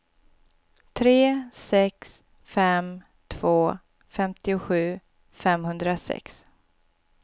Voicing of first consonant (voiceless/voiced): voiceless